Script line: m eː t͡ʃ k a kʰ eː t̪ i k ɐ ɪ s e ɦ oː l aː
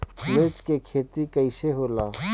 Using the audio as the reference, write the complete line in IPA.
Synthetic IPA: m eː t͡ʃ k e kʰ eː t̪ i k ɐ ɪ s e ɦ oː l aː

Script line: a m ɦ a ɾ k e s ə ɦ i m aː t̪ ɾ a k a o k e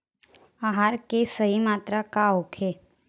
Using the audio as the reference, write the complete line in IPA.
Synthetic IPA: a ɦ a ɾ k e s ə ɦ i m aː t̪ ɾ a k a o kʰ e

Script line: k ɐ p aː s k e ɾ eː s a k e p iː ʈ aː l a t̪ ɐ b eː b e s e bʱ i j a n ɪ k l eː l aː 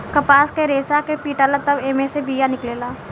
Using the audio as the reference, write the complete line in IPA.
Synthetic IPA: k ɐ p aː s k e ɾ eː s a k e p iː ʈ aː l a t̪ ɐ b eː m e s e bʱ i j a n ɪ k l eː l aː

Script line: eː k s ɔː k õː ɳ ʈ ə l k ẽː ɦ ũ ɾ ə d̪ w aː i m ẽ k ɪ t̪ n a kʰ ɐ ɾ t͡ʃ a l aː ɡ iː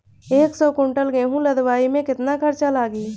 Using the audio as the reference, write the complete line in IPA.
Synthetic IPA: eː k s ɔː k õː ɳ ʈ ə l ɡ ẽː ɦ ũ l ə d̪ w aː i m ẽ k ɪ t̪ n a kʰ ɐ ɾ t͡ʃ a l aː ɡ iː

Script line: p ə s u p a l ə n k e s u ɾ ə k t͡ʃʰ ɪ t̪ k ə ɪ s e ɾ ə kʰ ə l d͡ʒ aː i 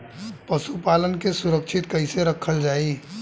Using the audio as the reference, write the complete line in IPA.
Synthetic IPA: p ə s u p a l ə n k e s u ɾ ə k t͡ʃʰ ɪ t̪ k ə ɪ s e ɾ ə kʰ ə l d͡ʒ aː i

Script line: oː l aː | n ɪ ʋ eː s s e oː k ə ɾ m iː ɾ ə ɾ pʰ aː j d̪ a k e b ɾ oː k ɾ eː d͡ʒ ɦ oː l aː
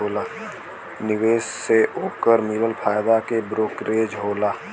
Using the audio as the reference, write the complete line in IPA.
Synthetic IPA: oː l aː | n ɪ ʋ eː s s e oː k ə ɾ m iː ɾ ə l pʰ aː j d̪ a k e b ɾ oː k ɾ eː d͡ʒ ɦ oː l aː

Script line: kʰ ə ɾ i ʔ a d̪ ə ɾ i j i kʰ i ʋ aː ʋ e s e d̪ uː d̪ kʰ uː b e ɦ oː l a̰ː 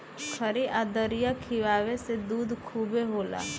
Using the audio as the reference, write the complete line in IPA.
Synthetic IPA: kʰ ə ɾ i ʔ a d̪ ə ɾ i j a kʰ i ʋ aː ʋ e s e d̪ uː d̪ kʰ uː b e ɦ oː l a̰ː

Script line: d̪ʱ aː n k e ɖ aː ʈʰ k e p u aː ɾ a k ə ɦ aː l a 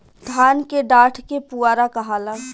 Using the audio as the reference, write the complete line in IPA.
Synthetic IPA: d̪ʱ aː n k e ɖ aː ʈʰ k e p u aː ɾ a k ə ɦ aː l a

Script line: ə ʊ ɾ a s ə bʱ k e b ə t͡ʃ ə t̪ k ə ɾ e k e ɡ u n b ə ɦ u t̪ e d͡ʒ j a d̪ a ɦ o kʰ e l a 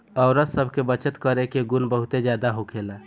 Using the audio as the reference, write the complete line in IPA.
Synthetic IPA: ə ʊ ɾ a s ə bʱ k e b ə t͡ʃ ə t̪ k ə ɾ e k e ɡ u n b ə ɦ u t̪ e d͡ʒ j a d̪ a ɦ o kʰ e l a

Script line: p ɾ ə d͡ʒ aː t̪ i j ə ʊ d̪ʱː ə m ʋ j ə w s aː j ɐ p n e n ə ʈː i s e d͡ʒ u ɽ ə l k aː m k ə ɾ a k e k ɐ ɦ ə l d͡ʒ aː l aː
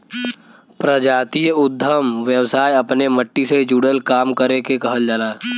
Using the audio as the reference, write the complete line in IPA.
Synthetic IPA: p ɾ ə d͡ʒ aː t̪ i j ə ʊ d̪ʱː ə m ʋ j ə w s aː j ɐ p n e m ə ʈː i s e d͡ʒ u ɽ ə l k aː m k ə ɾ e k e k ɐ ɦ ə l d͡ʒ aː l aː

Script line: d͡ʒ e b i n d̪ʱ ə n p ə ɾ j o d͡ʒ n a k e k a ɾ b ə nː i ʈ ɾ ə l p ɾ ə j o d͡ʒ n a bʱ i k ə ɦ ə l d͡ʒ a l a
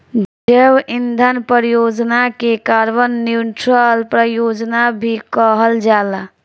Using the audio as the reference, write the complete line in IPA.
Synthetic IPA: d͡ʒ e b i n d̪ʱ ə n p ə ɾ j o d͡ʒ n a k e k a ɾ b ə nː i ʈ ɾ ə l p ɾ ə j o d͡ʒ n a bʱ i k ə ɦ ə l d͡ʒ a l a

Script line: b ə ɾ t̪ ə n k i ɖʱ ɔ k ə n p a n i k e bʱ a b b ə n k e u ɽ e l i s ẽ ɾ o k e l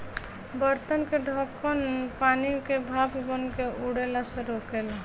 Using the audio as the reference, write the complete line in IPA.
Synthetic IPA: b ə ɾ t̪ ə n k e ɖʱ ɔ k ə n p a n i k e bʱ a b b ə n k e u ɽ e l a s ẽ ɾ o k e l

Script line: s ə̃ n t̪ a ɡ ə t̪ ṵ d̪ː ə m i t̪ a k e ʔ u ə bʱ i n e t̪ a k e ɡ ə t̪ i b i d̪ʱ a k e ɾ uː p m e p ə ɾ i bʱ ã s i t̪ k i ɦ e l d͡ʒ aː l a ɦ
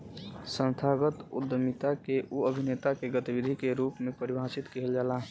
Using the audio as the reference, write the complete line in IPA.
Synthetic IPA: s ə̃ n t̪ʰ a ɡ ə t̪ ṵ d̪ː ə m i t̪ a k e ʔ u ə bʱ i n e t̪ a k e ɡ ə t̪ i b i d̪ʱ i k e ɾ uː p m e p ə ɾ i bʱ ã s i t̪ k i ɦ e l d͡ʒ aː l a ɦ

